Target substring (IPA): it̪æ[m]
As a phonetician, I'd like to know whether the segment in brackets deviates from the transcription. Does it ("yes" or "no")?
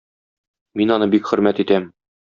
no